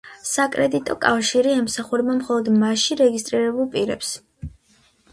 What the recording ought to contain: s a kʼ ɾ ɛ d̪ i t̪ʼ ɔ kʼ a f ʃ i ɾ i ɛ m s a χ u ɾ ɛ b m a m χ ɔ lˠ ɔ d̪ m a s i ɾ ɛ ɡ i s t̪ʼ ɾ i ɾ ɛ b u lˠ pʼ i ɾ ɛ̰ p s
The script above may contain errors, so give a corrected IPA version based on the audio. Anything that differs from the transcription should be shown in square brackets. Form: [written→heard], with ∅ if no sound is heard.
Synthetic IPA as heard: s a kʼ ɾ ɛ d̪ i t̪ʼ ɔ kʼ a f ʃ i ɾ i ɛ m s a χ u ɾ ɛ b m a m χ ɔ lˠ ɔ d̪ m a [s→ʃ] i ɾ ɛ ɡ i s t̪ʼ ɾ i ɾ ɛ b u lˠ pʼ i ɾ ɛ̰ p s